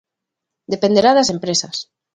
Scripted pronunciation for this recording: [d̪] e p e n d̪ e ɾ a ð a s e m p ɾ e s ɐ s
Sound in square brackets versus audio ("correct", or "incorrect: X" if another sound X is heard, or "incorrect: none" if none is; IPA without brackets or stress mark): correct